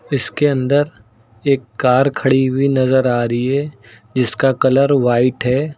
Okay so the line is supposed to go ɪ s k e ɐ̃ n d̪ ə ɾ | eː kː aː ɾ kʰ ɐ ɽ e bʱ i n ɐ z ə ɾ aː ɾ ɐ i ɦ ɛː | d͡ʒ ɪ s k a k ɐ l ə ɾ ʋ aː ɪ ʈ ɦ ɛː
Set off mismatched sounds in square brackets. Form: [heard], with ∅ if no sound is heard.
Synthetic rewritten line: ɪ s k e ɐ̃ n d̪ ə ɾ | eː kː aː ɾ kʰ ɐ ɽ [i] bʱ i n ɐ z ə ɾ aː ɾ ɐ i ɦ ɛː | d͡ʒ ɪ s k a k ɐ l ə ɾ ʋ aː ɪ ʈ ɦ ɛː